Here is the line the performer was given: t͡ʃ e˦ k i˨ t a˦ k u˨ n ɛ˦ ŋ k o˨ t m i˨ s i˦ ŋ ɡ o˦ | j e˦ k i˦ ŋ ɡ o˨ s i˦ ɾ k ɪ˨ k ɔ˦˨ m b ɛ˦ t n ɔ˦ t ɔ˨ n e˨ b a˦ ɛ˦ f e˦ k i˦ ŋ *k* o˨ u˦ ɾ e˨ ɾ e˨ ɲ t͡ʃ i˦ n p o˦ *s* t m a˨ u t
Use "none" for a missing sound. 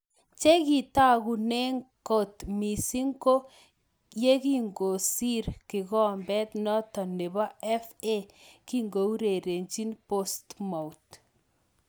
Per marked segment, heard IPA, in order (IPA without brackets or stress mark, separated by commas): ɡ, s